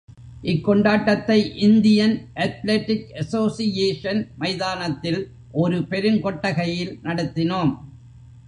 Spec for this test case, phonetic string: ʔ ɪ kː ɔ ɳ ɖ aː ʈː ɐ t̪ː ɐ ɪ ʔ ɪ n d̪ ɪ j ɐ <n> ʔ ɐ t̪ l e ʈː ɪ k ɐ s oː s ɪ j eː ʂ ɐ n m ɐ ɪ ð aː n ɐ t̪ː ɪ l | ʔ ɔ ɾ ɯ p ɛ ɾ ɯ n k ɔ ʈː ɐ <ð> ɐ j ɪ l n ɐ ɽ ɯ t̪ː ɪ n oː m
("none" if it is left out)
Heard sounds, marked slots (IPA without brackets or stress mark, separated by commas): n, ɣ